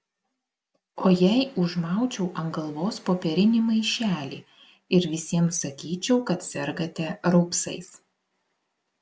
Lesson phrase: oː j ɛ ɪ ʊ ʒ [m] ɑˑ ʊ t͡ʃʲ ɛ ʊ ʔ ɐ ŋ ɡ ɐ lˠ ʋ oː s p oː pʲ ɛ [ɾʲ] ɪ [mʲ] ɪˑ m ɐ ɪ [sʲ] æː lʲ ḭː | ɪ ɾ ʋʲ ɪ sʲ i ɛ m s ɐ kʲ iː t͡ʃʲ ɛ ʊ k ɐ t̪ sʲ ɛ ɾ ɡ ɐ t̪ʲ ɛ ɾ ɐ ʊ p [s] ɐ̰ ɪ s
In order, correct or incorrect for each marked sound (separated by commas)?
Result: correct, correct, incorrect, incorrect, correct